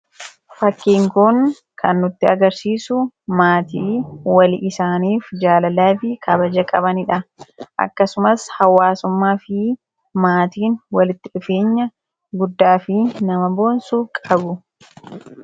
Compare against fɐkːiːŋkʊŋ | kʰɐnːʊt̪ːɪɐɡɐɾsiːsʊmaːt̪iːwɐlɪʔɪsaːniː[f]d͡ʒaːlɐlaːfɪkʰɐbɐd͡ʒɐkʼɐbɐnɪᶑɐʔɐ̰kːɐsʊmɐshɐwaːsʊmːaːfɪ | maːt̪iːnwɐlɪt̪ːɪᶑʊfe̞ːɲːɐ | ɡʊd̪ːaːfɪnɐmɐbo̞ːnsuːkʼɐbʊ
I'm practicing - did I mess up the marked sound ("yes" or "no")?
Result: no